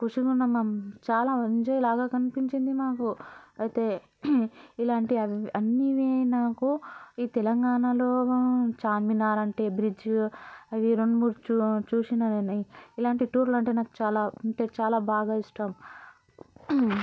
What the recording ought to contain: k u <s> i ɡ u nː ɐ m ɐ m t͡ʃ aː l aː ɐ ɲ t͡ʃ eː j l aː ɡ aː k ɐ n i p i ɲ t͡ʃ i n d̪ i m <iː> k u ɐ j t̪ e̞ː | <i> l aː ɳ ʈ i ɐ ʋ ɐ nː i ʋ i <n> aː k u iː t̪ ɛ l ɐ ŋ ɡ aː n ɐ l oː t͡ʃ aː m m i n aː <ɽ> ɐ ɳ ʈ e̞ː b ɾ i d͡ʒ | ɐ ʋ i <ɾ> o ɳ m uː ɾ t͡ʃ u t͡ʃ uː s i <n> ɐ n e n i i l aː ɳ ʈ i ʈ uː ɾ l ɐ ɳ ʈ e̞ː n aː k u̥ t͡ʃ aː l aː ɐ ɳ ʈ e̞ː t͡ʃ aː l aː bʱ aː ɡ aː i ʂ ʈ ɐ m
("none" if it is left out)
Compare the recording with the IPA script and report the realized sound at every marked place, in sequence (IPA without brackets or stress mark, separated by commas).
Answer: ʂ, aː, i, n, ɾ, ɾ, n